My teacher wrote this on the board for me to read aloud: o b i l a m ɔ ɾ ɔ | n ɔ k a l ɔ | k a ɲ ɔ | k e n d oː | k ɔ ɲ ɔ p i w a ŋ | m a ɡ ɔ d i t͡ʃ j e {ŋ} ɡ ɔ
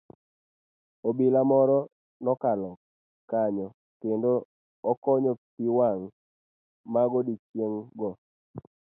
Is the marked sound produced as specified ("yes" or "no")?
yes